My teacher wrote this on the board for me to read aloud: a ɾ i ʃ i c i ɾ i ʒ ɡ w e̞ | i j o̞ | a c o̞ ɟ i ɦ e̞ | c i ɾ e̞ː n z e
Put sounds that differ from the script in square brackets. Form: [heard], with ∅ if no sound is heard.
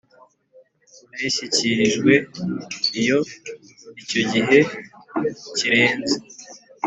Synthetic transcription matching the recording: a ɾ i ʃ i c i ɾ i ʒ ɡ w e̞ | i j o̞ | [i] c o̞ ɟ i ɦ e̞ | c i ɾ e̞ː n z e

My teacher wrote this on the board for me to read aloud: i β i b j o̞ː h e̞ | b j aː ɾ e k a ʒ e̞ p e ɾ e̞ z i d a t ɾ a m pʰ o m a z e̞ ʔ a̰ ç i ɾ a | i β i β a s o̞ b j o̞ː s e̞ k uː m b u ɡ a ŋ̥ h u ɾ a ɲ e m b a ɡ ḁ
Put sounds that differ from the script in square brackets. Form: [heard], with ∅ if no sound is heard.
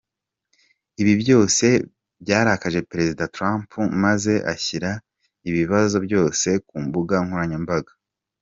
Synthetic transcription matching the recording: i β i b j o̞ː [s] e̞ | b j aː ɾ [a] k a ʒ e̞ p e ɾ e̞ z i d a t ɾ a m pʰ [u] m a z e̞ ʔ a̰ ç i ɾ a | i β i β a [z] o̞ b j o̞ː s e̞ k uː m b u ɡ a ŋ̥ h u ɾ a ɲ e m b a ɡ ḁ

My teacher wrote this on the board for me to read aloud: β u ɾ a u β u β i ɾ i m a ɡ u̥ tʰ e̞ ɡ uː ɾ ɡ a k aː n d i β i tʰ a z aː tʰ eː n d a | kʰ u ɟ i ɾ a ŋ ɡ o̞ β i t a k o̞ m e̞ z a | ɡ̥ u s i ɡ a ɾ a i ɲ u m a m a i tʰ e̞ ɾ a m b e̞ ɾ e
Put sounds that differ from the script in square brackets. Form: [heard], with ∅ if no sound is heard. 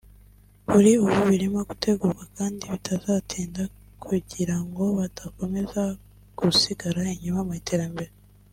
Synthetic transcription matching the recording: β u ɾ [i] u β u β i ɾ i m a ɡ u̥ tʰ e̞ ɡ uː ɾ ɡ a k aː n d i β i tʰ a z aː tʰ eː n d a | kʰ u ɟ i ɾ a ŋ ɡ o̞ β [a] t a k o̞ m e̞ z a | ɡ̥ u s i ɡ a ɾ a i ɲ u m a m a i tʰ e̞ ɾ a m b e̞ ɾ e

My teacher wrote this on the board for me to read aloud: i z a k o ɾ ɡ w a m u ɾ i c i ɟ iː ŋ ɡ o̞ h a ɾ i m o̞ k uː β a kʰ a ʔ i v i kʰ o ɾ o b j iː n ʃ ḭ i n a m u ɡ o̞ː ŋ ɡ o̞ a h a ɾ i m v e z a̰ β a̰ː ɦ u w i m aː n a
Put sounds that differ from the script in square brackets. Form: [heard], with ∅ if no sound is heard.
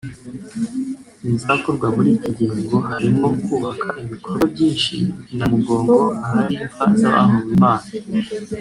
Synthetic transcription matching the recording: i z a k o ɾ ɡ w a m u ɾ i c i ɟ iː ŋ ɡ o̞ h a ɾ i m o̞ k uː β a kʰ a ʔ i [β] i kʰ o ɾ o b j iː n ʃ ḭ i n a m u ɡ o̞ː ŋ ɡ o̞ a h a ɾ i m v [a] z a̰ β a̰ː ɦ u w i m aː n a

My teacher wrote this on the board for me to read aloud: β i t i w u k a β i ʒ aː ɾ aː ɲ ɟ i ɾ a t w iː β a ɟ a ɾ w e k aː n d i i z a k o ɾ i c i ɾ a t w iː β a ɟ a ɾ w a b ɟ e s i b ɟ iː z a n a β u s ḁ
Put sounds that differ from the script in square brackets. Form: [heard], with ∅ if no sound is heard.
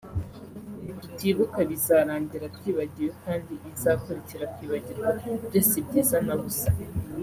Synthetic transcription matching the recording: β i t i [β] u k a β i [z] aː ɾ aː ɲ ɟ i ɾ a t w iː β a ɟ [i] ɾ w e k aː n d i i z a k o ɾ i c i ɾ a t w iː β a ɟ [i] ɾ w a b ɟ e s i b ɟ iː z a n a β u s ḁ

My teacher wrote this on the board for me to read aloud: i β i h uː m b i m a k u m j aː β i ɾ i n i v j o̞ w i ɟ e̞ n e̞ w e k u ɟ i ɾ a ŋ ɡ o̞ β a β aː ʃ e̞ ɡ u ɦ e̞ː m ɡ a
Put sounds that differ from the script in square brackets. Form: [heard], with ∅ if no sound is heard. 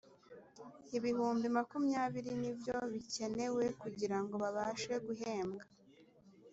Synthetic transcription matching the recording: i β i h uː m b i m a k u m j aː β i ɾ i n i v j o̞ [β] i [c] e̞ n e̞ w e k u ɟ i ɾ a ŋ ɡ o̞ β a β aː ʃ e̞ ɡ u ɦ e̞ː m ɡ a

